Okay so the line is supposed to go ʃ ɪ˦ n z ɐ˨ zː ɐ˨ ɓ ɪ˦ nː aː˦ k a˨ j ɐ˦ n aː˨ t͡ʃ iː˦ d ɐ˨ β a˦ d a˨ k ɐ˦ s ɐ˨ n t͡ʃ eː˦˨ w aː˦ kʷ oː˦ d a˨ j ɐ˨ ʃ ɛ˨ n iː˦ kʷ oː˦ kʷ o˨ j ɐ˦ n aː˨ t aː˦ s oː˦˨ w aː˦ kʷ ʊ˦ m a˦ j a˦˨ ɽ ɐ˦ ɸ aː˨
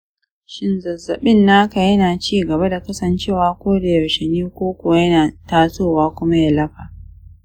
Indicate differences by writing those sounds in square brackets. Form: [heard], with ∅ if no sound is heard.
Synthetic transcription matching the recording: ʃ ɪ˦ n z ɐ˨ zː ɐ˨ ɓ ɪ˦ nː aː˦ k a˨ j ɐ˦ n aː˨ t͡ʃ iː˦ [ɡ] ɐ˨ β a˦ d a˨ k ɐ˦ s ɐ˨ n t͡ʃ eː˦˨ w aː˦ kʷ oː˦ d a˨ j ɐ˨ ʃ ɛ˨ n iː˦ kʷ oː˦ kʷ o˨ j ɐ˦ n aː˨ t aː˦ s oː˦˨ w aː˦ kʷ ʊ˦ m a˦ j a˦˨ [l] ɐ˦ ɸ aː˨